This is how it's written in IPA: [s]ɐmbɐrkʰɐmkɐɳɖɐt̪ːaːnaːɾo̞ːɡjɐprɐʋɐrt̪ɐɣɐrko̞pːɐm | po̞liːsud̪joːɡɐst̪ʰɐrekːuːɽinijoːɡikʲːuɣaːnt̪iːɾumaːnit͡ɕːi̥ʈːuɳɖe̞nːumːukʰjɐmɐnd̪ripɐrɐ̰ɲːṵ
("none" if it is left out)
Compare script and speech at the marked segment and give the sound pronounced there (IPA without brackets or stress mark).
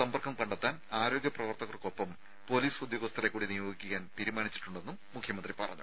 s